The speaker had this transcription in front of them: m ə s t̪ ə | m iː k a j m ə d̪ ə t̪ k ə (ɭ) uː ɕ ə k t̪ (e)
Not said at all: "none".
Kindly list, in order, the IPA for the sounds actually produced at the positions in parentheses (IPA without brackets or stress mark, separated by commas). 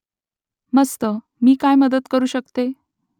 ɾ, e